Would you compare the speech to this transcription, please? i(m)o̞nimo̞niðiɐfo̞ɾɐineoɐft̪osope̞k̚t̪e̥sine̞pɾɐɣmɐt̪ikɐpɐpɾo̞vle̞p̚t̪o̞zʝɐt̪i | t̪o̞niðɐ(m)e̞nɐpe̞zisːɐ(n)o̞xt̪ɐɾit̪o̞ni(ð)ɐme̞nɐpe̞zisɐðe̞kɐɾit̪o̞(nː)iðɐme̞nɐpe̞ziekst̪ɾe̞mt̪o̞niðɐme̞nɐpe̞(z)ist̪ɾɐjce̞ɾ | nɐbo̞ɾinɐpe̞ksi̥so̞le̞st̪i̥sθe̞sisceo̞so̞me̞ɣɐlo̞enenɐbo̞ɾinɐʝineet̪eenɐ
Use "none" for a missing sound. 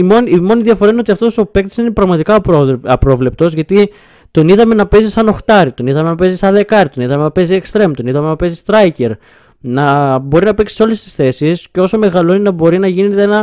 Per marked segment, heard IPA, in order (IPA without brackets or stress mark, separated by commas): m, m, n, ð, n, z